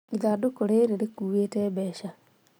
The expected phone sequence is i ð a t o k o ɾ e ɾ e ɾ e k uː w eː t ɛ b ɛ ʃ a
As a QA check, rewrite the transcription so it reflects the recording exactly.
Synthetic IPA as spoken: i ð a d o k o ɾ e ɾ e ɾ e k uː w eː t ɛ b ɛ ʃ a